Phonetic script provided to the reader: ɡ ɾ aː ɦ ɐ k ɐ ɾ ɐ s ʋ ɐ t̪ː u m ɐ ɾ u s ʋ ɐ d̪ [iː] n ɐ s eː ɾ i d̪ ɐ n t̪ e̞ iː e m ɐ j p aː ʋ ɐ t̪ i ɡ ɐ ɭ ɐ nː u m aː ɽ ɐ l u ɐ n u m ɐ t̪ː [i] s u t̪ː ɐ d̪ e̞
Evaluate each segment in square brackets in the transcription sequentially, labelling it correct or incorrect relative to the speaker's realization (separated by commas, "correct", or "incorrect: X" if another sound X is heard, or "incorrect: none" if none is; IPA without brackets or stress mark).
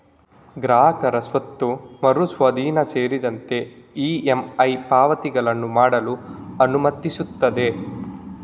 correct, correct